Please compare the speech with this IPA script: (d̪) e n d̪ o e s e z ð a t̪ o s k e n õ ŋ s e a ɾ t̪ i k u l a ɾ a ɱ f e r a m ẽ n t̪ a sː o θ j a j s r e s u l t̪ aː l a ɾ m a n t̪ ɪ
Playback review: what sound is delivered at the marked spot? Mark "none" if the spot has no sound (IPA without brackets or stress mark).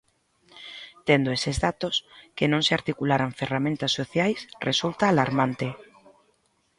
t̪